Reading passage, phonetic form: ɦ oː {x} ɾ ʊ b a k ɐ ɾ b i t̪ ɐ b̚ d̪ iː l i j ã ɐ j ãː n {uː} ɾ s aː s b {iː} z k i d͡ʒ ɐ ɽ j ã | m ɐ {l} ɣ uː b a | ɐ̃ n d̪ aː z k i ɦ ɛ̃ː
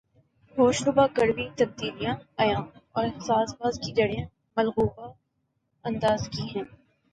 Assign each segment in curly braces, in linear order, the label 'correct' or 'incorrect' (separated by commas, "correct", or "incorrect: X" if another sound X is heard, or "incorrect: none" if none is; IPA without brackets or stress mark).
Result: incorrect: ʃ, incorrect: ɔː, incorrect: aː, correct